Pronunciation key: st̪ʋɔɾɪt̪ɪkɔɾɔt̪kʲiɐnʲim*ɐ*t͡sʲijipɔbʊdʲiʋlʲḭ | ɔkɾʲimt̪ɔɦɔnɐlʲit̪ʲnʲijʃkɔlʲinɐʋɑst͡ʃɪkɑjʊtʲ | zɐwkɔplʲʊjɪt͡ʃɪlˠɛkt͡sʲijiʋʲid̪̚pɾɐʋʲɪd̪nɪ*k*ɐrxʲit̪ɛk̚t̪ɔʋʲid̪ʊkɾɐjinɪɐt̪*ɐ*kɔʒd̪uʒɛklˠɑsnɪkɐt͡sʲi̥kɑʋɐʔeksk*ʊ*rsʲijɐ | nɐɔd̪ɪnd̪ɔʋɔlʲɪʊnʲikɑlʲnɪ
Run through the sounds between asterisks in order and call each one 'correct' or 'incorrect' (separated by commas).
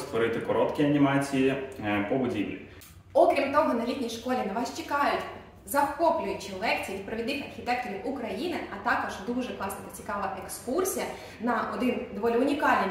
incorrect, incorrect, incorrect, incorrect